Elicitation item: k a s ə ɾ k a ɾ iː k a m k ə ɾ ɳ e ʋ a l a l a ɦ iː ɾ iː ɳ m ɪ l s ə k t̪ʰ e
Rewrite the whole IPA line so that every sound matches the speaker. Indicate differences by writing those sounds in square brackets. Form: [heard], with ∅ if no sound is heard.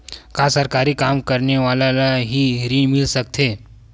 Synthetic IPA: k a s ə ɾ k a ɾ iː k a m k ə ɾ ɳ e ʋ a l a l a ɦ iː ɾ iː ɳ m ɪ l s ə k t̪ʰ e